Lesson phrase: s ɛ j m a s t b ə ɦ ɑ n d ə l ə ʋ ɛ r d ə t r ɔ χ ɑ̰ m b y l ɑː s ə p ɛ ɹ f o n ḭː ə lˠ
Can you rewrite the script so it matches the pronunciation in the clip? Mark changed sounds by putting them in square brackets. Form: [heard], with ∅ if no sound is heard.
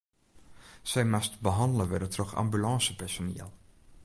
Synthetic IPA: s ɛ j m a s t b ə ɦ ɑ n d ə l ə ʋ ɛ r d ə t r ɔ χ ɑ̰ m b y l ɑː s ə p ɛ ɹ [s] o n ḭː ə lˠ